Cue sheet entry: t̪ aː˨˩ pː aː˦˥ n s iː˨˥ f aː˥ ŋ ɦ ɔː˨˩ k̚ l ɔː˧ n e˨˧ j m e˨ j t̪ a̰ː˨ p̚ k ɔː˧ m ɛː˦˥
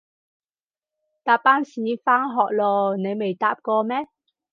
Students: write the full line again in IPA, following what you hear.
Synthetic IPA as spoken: t̪ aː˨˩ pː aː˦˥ n s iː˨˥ f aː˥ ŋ ɦ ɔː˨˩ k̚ l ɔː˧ n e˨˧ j m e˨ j t̪ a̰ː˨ p̚ k ɔː˧ m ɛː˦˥